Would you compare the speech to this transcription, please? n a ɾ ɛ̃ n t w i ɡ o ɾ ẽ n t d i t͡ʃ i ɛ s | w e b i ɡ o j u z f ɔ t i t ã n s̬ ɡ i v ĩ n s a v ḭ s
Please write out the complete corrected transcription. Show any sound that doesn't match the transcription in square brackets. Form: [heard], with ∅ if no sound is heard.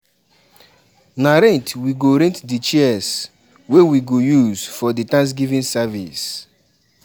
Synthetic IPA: n a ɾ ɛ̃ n t w i ɡ o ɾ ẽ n t d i t͡ʃ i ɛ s | w e [w] i ɡ o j u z f ɔ [d] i t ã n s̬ ɡ i v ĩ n s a v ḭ s

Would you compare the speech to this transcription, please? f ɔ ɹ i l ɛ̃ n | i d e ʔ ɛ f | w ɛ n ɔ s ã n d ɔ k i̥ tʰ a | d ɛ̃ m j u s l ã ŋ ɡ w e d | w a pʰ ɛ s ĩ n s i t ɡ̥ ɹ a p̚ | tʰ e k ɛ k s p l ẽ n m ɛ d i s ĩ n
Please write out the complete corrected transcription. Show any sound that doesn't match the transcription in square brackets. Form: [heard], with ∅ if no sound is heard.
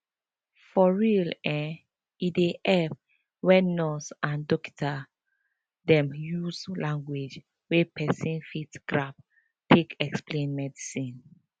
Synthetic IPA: f ɔ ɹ i l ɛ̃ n | i d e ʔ ɛ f | w ɛ n ɔ s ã n d ɔ k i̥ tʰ a | d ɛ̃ m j u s l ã ŋ ɡ w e [d͡ʒ] | w [e] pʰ ɛ s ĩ n [f] i t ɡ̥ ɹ a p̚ | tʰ e k ɛ k s p l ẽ n m ɛ d i s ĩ n

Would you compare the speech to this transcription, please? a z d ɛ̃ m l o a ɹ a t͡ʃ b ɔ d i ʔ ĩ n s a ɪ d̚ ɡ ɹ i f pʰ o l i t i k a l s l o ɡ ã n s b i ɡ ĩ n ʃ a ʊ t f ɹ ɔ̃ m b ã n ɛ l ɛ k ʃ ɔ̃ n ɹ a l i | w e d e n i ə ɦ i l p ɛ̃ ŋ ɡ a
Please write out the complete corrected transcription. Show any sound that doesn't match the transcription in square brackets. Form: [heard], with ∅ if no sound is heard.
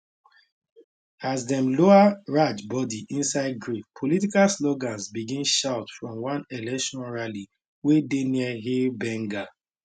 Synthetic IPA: a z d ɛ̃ m l o a ɹ a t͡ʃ b ɔ d i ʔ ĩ n s a ɪ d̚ ɡ ɹ i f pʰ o l i t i k a l s l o ɡ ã n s b i ɡ ĩ n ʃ a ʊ t f ɹ ɔ̃ m [w] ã n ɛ l ɛ k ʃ ɔ̃ n ɹ a l i | w e d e n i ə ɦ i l [b] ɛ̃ ŋ ɡ a

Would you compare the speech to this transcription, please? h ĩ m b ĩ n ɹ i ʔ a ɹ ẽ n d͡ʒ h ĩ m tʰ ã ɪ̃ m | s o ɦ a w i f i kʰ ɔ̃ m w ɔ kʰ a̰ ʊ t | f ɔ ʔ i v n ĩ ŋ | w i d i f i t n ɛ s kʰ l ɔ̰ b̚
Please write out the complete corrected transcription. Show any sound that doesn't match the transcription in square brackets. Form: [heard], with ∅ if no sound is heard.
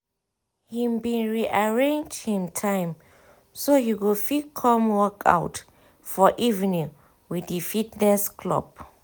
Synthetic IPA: h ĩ m b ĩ n ɹ i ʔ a ɹ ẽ n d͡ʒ h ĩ m tʰ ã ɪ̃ m | s o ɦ [i] w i f i kʰ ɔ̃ m w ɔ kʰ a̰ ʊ t | f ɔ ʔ i v n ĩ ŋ | w i d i f i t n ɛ s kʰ l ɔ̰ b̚

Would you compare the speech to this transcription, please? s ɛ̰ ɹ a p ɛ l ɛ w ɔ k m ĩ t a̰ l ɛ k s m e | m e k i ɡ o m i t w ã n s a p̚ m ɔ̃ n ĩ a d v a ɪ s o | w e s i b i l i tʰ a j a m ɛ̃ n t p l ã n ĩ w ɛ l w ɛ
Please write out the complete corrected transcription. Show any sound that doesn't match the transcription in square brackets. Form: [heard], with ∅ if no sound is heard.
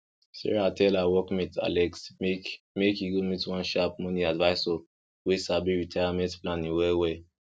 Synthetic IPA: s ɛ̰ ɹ a [t] ɛ l [a] w ɔ k m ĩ t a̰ l ɛ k s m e | m e k i ɡ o m i t w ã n [ʃ] a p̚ m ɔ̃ n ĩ a d v a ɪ s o | w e s [a] b i [ɹ] i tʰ a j a m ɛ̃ n t p l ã n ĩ w ɛ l w ɛ

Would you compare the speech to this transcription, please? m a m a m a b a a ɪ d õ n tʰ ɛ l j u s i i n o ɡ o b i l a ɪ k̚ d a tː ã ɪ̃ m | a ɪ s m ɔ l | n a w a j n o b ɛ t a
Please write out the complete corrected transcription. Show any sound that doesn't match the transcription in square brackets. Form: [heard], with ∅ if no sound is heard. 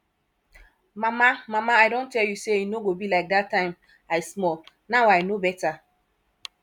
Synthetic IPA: m a m a m a [m] a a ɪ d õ n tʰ ɛ l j u s [e] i n o ɡ o b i l a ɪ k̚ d a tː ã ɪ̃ m | a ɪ s m ɔ l | n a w a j n o b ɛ t a

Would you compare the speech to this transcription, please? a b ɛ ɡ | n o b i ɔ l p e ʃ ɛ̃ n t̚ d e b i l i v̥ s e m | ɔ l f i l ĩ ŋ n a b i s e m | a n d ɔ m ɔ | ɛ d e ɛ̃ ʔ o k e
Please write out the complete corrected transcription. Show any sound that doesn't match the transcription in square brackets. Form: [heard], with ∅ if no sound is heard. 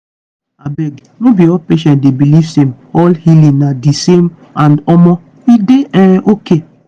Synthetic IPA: a b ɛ ɡ | n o b i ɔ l p e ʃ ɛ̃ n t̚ d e b i l i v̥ s e m | ɔ l [h] i l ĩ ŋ n a [d] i s e m | a n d ɔ m ɔ | [i] d e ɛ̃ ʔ o k e

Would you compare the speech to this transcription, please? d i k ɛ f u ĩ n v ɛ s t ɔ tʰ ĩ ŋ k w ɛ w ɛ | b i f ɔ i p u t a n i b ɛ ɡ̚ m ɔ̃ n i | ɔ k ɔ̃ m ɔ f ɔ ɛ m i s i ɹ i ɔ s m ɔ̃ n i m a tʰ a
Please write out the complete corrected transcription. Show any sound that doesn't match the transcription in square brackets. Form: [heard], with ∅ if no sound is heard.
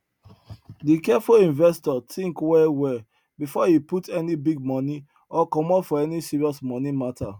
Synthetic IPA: d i k ɛ f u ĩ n v ɛ s t ɔ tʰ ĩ ŋ k w ɛ w ɛ | b i f ɔ i p u t [ɛ] n i b [i] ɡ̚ m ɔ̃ n i | ɔ k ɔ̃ m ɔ f ɔ ɛ [n] i s i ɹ i ɔ s m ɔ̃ n i m a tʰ a

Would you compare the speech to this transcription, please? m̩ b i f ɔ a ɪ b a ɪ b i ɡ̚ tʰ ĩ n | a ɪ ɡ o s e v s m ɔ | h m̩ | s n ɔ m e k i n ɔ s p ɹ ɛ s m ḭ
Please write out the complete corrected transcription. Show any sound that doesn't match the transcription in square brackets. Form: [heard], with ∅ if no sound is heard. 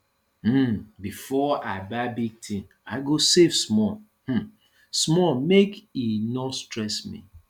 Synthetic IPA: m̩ b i f ɔ a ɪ b a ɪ b i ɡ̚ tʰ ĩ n | a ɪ ɡ o s e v s m ɔ | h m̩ | s [m] ɔ m e k i n ɔ s [t] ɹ ɛ s m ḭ

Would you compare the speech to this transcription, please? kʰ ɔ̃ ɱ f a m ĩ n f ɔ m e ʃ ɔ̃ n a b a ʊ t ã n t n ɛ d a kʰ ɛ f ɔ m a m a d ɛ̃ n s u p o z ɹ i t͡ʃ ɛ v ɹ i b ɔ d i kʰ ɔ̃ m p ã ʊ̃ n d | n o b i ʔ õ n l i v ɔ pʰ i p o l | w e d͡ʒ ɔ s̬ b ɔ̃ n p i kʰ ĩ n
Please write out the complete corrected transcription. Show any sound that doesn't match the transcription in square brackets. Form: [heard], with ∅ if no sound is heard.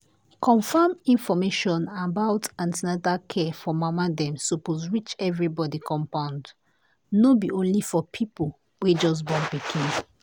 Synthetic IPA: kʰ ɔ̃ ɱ f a m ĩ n f ɔ m e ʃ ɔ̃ n a b a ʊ t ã n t n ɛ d a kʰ ɛ f ɔ m a m a d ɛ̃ [m] s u p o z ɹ i t͡ʃ ɛ v ɹ i b ɔ d i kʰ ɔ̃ m p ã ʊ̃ n d | n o b i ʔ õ n l i [f] ɔ pʰ i p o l | w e d͡ʒ ɔ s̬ b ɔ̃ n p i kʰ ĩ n

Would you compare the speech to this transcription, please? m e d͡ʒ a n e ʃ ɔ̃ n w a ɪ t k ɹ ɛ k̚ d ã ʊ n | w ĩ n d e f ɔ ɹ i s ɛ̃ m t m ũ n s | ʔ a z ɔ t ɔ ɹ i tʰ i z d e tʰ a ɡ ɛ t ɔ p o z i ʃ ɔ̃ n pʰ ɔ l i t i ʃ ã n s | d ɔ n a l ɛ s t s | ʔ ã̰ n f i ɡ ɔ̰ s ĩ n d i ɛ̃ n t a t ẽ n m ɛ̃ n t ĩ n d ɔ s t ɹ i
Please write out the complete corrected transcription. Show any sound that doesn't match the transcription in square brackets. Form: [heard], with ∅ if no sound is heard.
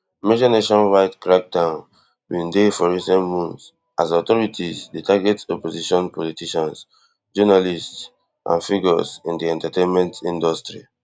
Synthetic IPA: m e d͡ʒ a n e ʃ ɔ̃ n w a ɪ t k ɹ [a] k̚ d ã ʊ n | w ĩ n d e f ɔ ɹ i s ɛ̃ [n] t m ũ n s | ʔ a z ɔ t ɔ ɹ i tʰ i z d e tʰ a ɡ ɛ t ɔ p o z i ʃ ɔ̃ n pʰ ɔ l i t i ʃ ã n s | [d͡ʒ] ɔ n a l [i] s t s | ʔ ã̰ n f i ɡ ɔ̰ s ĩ n d i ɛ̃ n t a t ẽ n m ɛ̃ n t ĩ n d ɔ s t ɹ i

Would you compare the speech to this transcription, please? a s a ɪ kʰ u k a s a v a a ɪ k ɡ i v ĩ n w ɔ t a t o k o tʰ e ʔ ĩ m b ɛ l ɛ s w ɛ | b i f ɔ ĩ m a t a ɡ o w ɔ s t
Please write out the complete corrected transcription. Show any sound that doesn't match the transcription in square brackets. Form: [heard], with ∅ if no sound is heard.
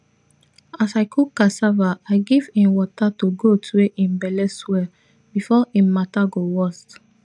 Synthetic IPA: a s a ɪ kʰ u k a s a v a a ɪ [∅] ɡ i v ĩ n w ɔ t a t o [ɡ] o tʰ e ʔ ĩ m b ɛ l ɛ s w ɛ | b i f ɔ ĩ m a t a ɡ o w ɔ s t

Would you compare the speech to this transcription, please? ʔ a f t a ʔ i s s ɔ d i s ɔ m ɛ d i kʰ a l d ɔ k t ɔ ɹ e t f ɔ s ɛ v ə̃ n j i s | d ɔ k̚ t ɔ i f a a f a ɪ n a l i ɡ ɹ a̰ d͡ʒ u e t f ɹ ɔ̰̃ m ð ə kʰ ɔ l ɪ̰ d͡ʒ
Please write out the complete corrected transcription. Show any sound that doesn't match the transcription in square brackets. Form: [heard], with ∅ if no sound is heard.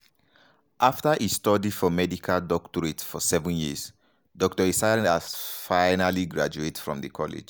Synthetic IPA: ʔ a f t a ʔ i s [t] ɔ d i [f] ɔ m ɛ d i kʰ a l d ɔ k t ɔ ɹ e t f ɔ s ɛ v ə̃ n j i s | d ɔ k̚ t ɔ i [s] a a f a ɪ n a l i ɡ ɹ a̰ d͡ʒ u e t f ɹ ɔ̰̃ m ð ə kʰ ɔ l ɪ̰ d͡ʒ

